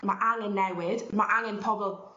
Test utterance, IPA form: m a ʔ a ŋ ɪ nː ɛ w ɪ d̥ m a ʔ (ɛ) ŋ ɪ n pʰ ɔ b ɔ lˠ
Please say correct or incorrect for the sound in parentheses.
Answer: incorrect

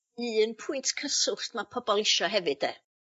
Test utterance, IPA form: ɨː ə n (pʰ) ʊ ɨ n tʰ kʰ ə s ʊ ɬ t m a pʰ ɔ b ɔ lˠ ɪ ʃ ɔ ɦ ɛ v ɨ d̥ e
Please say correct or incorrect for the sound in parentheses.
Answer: correct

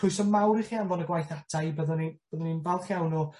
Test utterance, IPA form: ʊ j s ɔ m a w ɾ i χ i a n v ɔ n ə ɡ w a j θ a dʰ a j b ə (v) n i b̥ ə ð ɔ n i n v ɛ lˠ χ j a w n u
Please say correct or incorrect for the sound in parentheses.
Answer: incorrect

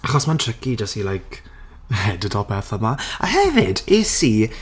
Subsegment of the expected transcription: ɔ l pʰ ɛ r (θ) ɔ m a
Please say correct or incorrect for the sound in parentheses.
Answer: correct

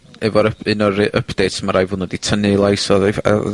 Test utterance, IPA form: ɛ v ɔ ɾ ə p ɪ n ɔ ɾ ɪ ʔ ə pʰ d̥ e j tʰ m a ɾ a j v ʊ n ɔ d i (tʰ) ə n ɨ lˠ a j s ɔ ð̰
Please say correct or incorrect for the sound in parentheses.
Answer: correct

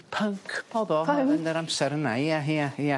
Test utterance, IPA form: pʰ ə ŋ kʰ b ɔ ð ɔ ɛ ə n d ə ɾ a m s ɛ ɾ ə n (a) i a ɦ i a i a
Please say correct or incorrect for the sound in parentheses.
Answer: correct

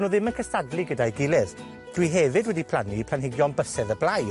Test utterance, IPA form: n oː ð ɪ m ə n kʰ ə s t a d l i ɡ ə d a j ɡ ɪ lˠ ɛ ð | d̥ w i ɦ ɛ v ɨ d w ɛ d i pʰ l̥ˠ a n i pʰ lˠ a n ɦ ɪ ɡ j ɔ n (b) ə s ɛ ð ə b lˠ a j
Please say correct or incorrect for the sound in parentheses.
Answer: correct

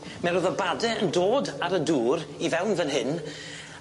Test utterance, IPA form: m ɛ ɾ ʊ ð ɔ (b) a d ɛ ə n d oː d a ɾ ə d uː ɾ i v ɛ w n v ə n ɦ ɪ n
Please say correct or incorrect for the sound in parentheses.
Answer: correct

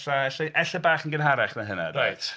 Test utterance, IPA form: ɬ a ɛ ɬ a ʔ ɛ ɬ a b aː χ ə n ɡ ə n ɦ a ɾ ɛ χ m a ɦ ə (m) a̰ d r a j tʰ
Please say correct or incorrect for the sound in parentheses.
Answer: incorrect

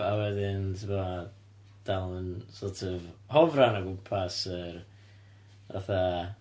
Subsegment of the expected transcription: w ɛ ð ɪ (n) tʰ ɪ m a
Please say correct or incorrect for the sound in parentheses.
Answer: correct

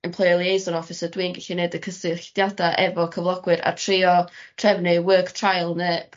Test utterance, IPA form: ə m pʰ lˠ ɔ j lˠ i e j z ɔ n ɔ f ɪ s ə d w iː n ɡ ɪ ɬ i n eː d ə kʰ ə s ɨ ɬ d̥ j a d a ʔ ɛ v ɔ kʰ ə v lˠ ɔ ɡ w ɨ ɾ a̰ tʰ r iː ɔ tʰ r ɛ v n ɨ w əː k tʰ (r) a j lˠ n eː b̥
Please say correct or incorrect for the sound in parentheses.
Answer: correct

